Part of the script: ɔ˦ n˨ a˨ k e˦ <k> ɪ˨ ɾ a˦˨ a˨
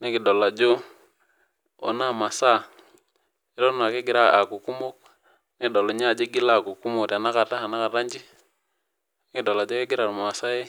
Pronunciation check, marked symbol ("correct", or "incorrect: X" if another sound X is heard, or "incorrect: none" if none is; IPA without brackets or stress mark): incorrect: ɡ